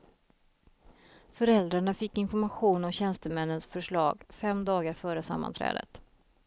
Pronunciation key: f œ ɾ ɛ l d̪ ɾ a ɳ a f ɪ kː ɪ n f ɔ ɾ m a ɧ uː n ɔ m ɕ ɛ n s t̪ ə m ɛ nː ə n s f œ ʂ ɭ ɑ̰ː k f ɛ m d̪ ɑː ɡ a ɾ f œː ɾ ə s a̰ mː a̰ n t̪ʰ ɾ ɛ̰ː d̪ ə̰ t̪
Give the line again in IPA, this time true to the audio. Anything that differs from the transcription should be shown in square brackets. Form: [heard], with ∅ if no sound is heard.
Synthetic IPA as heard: f œ ɾ ɛ l d̪ ɾ a ɳ a f ɪ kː ɪ n f ɔ ɾ m a ɧ uː n ɔ m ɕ ɛ n s t̪ ə m ɛ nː ə n s f œ ʂ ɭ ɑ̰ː [ɡ] f ɛ m d̪ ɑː ɡ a ɾ f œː ɾ ə s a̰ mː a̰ n t̪ʰ ɾ ɛ̰ː d̪ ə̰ t̪

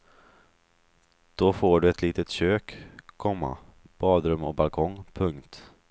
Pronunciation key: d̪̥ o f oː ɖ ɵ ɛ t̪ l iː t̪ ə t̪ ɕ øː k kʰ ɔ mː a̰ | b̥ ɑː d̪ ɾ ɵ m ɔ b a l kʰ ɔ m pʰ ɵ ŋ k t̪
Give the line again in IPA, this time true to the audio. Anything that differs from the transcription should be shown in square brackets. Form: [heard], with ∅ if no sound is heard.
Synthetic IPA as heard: d̪̥ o f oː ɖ ɵ ɛ t̪ l iː t̪ ə t̪ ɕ øː k kʰ ɔ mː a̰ | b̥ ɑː d̪ ɾ ɵ m ɔ b a l kʰ ɔ [ŋ] pʰ ɵ ŋ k t̪

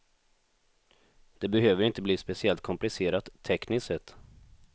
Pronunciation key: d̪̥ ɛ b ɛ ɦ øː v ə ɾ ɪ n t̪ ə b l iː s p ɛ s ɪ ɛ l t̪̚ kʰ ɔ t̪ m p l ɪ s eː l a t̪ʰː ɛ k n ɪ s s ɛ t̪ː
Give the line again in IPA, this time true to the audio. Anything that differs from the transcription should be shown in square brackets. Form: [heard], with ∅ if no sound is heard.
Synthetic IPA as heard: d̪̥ ɛ b ɛ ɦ øː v ə ɾ ɪ n t̪ ə b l iː s p ɛ s ɪ ɛ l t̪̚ kʰ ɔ [∅] m p l ɪ s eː [ɾ] a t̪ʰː ɛ k n ɪ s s ɛ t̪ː

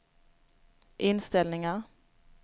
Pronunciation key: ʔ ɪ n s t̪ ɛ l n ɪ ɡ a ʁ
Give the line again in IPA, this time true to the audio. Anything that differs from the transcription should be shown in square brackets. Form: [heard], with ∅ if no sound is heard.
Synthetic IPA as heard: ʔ ɪ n s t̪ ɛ l n ɪ [ŋ] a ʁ

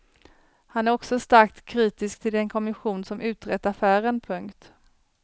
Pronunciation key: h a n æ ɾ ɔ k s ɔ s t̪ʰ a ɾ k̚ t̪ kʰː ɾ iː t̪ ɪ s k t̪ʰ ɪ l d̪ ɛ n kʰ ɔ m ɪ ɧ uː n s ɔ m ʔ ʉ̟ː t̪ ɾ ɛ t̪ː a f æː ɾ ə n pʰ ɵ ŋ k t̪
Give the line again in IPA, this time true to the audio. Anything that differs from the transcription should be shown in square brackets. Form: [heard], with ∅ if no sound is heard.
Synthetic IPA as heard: h a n æ ɾ ɔ k s ɔ s [t̪] a ɾ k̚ t̪ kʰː ɾ iː t̪ ɪ s k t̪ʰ ɪ l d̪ ɛ n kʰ ɔ m ɪ ɧ uː n s ɔ m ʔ ʉ̟ː t̪ ɾ ɛ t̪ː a f æː ɾ ə n pʰ ɵ ŋ k t̪

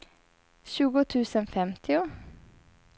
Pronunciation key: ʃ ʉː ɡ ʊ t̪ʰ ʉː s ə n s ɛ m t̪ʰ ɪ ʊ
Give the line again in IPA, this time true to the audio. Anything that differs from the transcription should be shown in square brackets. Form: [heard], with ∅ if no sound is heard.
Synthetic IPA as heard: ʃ ʉː ɡ ʊ t̪ʰ ʉː s ə n [f] ɛ m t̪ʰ ɪ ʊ

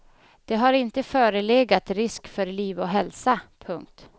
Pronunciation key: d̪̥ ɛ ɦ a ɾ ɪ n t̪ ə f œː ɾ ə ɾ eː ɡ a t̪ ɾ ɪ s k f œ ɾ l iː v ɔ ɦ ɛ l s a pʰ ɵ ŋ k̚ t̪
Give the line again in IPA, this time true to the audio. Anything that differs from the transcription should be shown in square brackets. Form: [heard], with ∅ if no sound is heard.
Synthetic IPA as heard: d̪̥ ɛ ɦ a ɾ ɪ n t̪ ə f œː ɾ ə [l] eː ɡ a t̪ ɾ ɪ s k f œ ɾ l iː v ɔ ɦ ɛ l s a pʰ ɵ ŋ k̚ t̪

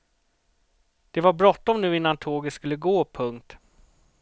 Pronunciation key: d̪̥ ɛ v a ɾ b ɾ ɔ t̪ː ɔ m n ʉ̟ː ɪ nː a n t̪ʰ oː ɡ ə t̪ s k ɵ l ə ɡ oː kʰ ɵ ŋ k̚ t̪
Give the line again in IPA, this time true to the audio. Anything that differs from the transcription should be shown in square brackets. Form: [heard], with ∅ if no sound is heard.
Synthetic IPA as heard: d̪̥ ɛ v a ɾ b ɾ ɔ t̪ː ɔ m n ʉ̟ː ɪ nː a n t̪ʰ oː ɡ ə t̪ s k ɵ [lː] ə ɡ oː [pʰ] ɵ ŋ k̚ t̪

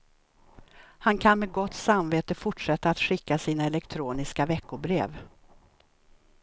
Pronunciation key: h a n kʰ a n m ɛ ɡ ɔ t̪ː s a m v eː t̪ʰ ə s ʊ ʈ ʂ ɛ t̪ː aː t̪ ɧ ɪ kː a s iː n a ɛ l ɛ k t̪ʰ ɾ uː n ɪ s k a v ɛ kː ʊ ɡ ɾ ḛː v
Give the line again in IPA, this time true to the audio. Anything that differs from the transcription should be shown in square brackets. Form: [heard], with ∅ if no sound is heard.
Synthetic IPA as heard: h a n kʰ a n m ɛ ɡ ɔ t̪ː s a m v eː [t̪] ə [f] ʊ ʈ ʂ ɛ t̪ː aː t̪ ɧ ɪ kː a s iː n a ɛ l ɛ k t̪ʰ ɾ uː n ɪ s k a v ɛ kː ʊ [b] ɾ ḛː v

